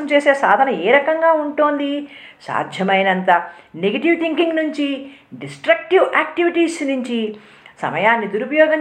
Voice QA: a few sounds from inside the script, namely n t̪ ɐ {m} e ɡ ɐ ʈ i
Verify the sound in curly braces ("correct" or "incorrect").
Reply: incorrect